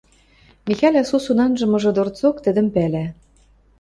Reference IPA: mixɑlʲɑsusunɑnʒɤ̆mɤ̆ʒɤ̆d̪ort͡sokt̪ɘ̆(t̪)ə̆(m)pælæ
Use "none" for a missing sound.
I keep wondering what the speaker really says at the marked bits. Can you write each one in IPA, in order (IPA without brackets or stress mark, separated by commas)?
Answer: d̪, m